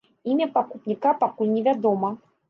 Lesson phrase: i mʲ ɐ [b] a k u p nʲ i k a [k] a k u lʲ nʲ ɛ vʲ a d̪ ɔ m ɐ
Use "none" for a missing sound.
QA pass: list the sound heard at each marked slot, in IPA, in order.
p, p

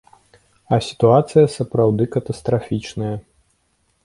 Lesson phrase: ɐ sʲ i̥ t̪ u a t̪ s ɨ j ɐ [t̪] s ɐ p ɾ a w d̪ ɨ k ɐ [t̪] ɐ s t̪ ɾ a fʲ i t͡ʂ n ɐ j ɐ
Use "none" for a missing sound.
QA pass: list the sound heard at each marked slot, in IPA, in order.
none, t̪

